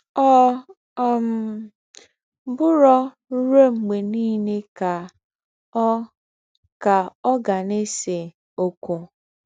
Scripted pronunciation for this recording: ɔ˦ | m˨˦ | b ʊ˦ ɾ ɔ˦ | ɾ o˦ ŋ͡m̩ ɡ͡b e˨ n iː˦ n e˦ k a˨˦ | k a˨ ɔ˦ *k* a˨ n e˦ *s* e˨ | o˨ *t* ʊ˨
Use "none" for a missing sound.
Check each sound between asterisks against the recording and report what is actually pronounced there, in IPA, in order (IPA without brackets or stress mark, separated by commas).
ɡ, s, k